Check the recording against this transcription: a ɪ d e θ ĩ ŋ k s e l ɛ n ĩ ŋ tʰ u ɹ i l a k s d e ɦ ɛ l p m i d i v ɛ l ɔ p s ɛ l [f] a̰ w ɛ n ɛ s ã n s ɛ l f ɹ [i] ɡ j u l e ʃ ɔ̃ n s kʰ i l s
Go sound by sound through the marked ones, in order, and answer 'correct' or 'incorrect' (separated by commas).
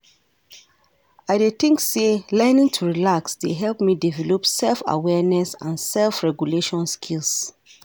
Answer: correct, incorrect